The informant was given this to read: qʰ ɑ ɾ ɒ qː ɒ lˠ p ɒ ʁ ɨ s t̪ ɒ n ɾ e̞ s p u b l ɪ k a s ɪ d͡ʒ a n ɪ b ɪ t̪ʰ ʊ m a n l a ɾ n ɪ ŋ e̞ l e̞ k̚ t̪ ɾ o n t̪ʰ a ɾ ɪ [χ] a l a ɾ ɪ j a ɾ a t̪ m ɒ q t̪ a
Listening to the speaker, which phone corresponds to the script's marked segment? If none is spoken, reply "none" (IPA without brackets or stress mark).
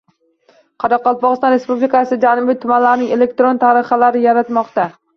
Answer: χ